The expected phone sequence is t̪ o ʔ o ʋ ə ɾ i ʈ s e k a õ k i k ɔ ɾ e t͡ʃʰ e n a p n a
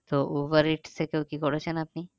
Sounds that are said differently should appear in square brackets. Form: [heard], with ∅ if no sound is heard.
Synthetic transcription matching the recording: t̪ o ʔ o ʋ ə ɾ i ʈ s e k [e] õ k i k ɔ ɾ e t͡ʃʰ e n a p n [i]